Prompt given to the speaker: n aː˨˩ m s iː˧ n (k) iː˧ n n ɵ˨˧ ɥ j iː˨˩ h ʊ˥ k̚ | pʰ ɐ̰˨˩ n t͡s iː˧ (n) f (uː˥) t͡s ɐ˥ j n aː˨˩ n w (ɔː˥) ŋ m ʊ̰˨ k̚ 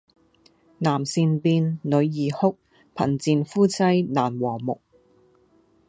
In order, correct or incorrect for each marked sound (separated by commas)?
incorrect, correct, correct, incorrect